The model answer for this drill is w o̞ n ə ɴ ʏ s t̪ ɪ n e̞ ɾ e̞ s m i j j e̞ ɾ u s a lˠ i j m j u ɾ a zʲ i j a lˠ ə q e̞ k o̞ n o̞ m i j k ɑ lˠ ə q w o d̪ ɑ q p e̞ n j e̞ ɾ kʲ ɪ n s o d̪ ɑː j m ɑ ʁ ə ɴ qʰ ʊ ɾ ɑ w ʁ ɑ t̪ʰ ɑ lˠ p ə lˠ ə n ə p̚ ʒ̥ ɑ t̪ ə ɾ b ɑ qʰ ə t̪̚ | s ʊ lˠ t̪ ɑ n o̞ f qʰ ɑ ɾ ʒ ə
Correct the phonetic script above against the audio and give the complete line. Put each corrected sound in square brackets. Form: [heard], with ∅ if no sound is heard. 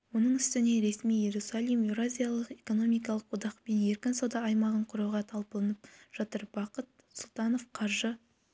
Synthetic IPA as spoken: w o̞ n ə ɴ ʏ s t̪ ɪ n e̞ ɾ e̞ s m i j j e̞ ɾ u s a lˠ i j m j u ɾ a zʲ i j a lˠ ə q e̞ k o̞ n o̞ m i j k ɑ lˠ ə q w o d̪ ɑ q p e̞ n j e̞ ɾ kʲ ɪ n s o d̪ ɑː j m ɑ ʁ ə ɴ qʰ ʊ ɾ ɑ w ʁ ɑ t̪ʰ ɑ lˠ p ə lˠ ə n ə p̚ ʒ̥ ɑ t̪ ə ɾ b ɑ [q] ə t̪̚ | s ʊ lˠ t̪ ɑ n o̞ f qʰ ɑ ɾ ʒ ə

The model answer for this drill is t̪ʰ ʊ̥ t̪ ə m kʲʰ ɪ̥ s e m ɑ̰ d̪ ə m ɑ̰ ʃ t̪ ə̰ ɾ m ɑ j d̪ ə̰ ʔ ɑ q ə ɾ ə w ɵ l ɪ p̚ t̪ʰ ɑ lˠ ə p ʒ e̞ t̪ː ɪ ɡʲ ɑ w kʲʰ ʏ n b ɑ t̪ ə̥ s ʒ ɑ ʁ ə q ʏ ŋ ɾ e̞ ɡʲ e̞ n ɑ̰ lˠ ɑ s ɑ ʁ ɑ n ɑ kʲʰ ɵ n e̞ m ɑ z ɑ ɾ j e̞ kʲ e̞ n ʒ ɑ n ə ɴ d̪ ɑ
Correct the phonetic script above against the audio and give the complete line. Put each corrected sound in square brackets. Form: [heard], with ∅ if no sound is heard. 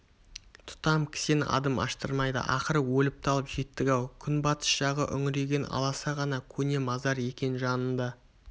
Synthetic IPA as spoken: t̪ʰ ʊ̥ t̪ [ɑ] m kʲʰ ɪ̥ s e [n] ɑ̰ d̪ ə m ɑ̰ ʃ t̪ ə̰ ɾ m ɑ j d̪ ə̰ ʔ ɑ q ə ɾ ə w ɵ l ɪ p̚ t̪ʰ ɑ lˠ ə p ʒ e̞ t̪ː ɪ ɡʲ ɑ w kʲʰ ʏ n b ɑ t̪ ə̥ s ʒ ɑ ʁ ə [ʔ] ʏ ŋ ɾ e̞ ɡʲ e̞ n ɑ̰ lˠ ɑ s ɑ ʁ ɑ n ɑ kʲʰ ɵ n e̞ m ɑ z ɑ ɾ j e̞ kʲ e̞ n ʒ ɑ n ə [n] d̪ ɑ

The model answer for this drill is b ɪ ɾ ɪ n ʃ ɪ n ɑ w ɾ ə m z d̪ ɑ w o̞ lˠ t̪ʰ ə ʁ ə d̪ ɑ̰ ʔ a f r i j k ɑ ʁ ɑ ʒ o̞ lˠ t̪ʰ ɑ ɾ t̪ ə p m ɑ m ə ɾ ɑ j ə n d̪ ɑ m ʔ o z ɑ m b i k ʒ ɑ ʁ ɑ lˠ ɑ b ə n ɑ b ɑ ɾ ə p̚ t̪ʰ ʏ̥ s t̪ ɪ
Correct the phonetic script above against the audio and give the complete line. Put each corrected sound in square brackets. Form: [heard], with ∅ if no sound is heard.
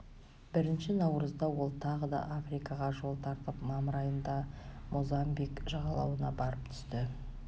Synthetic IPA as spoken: b ɪ ɾ ɪ n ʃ ɪ n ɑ w ɾ ə [∅] z d̪ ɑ w o̞ lˠ t̪ʰ [ɑ] ʁ ə d̪ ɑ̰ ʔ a f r i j k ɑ ʁ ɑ ʒ o̞ lˠ t̪ʰ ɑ ɾ t̪ ə p m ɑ m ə ɾ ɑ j ə n d̪ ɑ m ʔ o z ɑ m b i k ʒ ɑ ʁ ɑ lˠ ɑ [w] ə n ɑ b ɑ ɾ ə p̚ t̪ʰ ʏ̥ s t̪ ɪ

